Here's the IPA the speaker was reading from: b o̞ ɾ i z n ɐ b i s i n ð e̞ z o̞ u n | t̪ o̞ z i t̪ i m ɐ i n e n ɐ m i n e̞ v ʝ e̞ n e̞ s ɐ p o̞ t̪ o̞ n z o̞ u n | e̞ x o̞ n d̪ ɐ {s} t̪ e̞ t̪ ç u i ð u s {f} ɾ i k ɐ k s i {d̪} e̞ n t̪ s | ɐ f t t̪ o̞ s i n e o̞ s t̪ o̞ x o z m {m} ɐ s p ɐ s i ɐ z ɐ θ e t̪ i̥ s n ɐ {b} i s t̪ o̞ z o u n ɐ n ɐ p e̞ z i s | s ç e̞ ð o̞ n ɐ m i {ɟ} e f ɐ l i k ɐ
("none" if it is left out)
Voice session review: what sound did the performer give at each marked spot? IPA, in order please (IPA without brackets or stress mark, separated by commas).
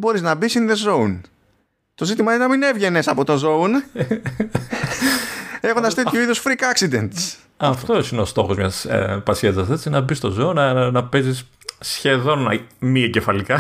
s, f, d̪, ɲ, b, ɟ